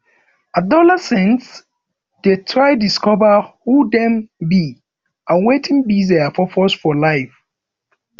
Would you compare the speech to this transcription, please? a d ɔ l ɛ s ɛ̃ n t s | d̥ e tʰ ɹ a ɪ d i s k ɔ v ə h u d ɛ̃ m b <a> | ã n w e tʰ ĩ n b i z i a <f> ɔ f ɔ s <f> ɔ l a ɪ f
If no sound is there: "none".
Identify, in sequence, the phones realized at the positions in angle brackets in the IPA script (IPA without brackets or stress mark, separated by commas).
i, f, f